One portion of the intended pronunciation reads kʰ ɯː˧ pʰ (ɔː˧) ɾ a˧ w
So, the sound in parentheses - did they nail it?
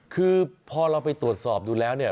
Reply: yes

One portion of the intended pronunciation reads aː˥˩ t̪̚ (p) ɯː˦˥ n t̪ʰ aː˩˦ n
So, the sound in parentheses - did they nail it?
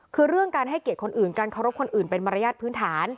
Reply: no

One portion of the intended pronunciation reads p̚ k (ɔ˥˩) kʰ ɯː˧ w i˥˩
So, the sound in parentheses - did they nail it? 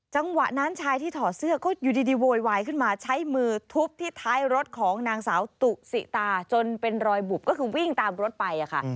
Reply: no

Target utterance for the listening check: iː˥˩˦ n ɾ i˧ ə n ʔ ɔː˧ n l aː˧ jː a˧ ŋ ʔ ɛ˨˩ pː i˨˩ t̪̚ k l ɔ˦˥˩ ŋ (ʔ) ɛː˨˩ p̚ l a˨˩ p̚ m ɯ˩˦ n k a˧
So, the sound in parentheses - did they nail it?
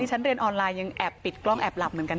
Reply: yes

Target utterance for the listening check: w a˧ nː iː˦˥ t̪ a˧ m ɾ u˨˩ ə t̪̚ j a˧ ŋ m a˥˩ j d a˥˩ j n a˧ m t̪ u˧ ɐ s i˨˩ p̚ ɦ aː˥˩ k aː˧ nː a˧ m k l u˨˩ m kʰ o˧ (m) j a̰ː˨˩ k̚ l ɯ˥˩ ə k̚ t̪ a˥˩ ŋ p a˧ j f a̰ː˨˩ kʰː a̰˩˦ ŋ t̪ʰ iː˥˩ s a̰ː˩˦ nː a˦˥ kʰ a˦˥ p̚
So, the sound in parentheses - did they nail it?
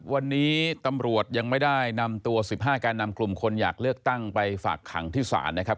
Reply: no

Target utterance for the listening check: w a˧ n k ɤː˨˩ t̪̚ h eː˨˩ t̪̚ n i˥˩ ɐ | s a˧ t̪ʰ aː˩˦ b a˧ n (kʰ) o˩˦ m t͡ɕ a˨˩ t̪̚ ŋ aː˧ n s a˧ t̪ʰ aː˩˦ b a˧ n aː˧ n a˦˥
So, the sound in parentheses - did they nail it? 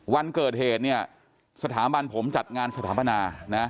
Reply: no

